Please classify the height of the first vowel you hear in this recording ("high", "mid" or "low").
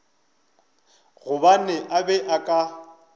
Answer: high